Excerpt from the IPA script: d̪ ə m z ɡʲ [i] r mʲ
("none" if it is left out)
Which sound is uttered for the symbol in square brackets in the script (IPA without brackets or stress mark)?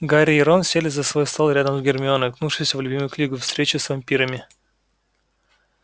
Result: ɪ